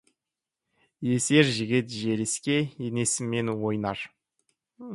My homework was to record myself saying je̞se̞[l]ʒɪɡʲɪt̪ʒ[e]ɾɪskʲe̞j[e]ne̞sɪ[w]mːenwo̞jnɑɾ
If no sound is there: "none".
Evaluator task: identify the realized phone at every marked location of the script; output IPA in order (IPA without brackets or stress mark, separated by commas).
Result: ɾ, e, e, none